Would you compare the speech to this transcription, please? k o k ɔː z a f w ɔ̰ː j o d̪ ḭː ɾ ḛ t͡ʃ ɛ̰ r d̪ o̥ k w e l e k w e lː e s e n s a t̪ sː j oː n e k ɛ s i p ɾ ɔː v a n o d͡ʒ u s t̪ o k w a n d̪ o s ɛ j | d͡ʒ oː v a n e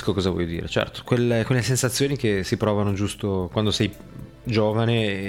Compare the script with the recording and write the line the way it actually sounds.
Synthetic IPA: k o k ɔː z a v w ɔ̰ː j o d̪ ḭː ɾ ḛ t͡ʃ ɛ̰ r t̪ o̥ k w e l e k w e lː e s e n s a t̪ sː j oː n i k e s i p ɾ ɔː v a n o d͡ʒ u s t̪ o k w a n d̪ o s ɛ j | d͡ʒ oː v a n e